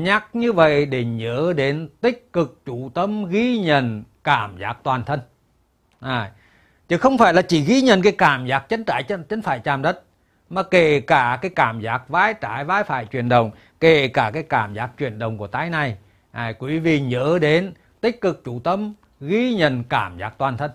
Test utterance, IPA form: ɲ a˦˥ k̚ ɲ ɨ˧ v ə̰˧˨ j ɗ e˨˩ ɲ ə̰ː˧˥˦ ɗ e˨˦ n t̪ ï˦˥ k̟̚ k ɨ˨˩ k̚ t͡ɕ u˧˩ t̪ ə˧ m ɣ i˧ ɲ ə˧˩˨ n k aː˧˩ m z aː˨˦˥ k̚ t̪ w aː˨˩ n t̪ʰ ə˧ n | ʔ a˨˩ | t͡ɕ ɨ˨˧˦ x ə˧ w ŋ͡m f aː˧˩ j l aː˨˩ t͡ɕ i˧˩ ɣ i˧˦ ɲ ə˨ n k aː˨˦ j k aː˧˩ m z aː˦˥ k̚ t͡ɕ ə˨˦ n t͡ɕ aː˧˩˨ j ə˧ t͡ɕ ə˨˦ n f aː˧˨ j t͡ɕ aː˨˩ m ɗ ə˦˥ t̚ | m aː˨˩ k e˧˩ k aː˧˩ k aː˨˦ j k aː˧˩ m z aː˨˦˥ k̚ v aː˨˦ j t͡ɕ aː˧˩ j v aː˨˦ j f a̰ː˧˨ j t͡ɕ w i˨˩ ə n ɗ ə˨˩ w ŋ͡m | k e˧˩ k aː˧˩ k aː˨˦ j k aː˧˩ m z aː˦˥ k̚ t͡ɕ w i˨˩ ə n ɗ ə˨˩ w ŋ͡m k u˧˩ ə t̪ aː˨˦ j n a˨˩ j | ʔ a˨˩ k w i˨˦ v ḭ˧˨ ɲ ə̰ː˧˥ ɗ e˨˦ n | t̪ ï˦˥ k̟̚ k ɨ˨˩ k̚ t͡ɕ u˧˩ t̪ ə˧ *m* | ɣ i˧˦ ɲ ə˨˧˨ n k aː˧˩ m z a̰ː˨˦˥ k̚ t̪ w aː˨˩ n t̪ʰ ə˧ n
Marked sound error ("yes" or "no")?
no